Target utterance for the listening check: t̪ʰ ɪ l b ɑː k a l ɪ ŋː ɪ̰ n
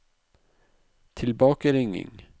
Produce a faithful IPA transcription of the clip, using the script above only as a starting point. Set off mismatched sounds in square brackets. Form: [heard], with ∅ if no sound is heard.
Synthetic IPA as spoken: t̪ʰ ɪ l b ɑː k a [ɾ] ɪ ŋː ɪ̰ [ŋ]